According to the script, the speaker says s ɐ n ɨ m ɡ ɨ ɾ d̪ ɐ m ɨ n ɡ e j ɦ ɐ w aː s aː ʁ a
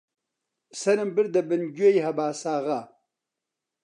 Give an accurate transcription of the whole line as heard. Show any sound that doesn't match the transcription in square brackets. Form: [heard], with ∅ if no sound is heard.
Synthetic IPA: s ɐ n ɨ m [b] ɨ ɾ d̪ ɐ [b] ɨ n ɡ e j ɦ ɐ [b] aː s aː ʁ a